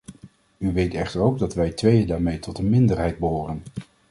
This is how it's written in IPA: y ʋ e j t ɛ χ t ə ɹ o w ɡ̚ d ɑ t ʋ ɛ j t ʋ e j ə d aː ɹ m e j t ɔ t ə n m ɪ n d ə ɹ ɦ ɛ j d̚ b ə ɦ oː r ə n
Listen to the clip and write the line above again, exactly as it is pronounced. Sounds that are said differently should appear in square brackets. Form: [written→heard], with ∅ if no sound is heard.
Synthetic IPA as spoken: y ʋ e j t ɛ χ t ə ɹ o w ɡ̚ d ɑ t ʋ ɛ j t ʋ e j ə d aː ɹ m e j t ɔ t ə n m ɪ n d ə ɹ ɦ ɛ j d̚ b ə ɦ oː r ə n